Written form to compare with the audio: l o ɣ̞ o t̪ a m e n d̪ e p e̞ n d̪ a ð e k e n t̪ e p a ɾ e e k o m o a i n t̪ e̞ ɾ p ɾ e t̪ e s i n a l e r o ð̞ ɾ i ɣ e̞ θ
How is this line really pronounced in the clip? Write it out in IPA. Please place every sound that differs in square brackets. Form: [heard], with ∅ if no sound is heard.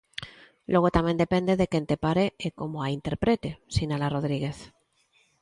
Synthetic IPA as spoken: l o ɣ̞ o t̪ a m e n d̪ e p e̞ n d̪ [e] ð e k e n t̪ e p a ɾ e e k o m o a i n t̪ e̞ ɾ p ɾ e t̪ e s i n a l [a] r o ð̞ ɾ i ɣ e̞ θ